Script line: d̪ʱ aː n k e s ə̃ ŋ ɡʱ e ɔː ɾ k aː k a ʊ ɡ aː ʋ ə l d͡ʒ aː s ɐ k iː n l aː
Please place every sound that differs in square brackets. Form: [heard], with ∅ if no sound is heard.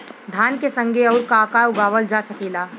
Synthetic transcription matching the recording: d̪ʱ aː n k e s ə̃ ŋ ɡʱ e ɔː ɾ k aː k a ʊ ɡ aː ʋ ə l d͡ʒ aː s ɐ k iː [∅] l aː